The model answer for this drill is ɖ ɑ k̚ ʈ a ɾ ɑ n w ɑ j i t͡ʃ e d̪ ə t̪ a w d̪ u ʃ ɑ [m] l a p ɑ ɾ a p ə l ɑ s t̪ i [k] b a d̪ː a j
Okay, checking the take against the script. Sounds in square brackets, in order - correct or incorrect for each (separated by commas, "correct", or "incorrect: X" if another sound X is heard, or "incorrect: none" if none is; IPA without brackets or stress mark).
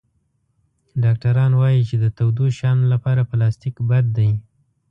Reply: incorrect: n, correct